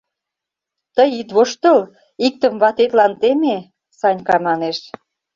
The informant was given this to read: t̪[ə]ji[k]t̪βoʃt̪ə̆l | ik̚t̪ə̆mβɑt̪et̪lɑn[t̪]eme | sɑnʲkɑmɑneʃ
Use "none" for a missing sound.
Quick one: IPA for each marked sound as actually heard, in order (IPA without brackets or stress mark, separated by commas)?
ə, none, t̪